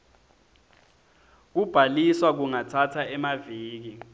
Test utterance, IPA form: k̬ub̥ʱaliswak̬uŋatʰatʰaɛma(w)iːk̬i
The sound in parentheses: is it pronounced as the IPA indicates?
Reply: no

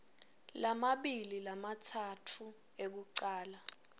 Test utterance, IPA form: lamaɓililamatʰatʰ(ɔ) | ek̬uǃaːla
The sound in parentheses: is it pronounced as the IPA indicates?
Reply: no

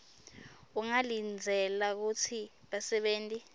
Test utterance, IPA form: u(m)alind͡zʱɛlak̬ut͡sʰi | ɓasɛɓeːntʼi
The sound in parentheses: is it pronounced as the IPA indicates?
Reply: no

